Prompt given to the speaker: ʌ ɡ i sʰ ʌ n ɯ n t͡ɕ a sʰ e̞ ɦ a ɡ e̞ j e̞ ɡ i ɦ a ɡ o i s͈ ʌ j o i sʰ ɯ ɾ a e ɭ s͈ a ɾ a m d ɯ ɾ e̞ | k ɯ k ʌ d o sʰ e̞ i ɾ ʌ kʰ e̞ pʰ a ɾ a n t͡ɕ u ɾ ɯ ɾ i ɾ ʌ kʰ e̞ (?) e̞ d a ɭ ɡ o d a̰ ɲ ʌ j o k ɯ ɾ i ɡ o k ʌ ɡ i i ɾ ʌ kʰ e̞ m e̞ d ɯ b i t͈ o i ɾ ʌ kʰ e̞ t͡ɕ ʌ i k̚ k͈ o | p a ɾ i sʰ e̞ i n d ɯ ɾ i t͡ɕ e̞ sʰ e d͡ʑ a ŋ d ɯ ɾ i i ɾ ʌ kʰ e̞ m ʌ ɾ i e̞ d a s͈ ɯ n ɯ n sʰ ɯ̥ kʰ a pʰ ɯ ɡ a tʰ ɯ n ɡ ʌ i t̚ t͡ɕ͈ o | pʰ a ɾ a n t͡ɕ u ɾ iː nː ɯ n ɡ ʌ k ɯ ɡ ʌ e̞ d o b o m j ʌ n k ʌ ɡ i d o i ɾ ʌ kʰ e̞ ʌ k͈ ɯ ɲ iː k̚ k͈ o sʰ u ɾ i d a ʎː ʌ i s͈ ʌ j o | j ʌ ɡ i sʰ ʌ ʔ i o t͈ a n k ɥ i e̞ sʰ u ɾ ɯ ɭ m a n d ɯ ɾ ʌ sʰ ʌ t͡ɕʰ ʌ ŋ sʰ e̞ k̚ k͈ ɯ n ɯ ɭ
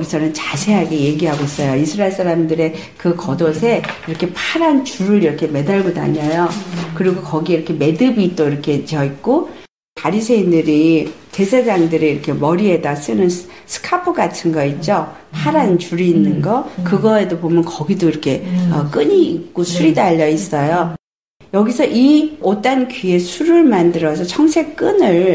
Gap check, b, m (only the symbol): m